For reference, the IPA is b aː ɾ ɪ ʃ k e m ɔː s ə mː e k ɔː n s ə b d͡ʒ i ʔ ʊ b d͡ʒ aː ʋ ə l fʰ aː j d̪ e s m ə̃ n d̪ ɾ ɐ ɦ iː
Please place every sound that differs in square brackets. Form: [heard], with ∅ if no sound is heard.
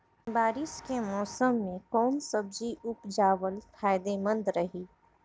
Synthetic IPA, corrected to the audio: b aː ɾ ɪ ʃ k e m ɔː s ə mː [ẽ] k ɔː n s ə b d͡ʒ i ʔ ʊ [p] d͡ʒ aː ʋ ə l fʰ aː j d̪ e [∅] m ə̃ n d̪ ɾ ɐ ɦ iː